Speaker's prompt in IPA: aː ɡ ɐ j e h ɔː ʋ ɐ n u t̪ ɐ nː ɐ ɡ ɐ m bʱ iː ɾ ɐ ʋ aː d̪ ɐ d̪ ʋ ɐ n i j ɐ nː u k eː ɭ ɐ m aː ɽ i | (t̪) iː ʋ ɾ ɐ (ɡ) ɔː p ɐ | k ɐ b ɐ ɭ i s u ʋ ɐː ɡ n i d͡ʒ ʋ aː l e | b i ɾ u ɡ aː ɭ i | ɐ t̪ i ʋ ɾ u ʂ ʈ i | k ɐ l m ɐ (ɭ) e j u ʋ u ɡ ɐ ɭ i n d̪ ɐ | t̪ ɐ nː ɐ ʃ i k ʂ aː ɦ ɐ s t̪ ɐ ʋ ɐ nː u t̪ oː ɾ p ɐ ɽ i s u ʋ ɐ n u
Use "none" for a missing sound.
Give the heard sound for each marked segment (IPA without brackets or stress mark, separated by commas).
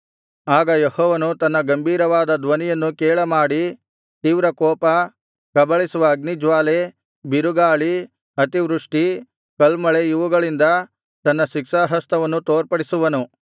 t̪, k, ɭ